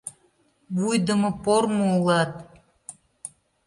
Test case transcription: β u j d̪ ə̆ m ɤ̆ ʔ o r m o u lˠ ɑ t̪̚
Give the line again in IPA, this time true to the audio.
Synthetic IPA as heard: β u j d̪ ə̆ m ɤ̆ p o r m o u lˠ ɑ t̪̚